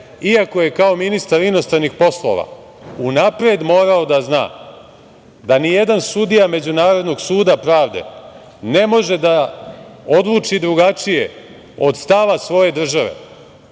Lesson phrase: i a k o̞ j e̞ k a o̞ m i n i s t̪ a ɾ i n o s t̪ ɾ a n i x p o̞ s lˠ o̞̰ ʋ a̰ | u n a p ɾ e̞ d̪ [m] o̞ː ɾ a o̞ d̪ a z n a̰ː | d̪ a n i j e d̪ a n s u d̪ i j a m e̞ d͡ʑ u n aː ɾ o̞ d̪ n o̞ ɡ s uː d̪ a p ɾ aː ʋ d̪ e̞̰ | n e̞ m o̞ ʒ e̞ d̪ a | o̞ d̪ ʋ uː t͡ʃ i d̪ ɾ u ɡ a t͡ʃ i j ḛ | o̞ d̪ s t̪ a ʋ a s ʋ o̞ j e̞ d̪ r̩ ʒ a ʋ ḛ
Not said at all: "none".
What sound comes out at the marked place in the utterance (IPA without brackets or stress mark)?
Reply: m